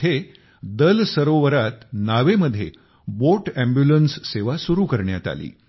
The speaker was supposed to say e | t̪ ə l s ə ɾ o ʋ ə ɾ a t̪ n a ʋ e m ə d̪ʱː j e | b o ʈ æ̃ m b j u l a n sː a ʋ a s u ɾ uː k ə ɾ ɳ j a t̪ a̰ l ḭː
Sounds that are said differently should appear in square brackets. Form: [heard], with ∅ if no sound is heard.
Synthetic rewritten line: e | [d̪] ə l s ə ɾ o ʋ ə ɾ a t̪ n a ʋ e m ə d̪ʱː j e | b o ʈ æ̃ m b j u l [ə] n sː [e] ʋ a s u ɾ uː k ə ɾ ɳ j a t̪ a̰ l ḭː